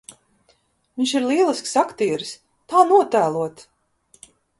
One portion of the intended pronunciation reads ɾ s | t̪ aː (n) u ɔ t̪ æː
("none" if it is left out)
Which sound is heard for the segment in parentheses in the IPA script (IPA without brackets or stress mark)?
n